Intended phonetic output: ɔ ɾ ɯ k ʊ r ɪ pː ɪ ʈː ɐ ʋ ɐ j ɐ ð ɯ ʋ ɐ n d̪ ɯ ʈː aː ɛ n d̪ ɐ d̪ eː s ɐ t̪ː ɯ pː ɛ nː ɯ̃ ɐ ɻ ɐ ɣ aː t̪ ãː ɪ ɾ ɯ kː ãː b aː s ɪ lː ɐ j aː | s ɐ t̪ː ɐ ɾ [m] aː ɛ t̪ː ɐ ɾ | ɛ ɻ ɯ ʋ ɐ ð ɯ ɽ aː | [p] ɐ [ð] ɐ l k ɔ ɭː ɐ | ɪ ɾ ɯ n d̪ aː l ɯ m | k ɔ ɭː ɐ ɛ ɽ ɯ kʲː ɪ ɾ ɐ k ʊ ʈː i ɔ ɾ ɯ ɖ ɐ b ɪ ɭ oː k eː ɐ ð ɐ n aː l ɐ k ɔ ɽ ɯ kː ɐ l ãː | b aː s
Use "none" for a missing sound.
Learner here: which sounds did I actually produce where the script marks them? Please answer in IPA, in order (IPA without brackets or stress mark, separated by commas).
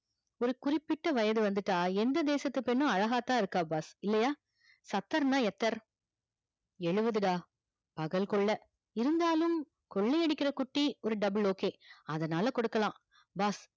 n, p, ɣ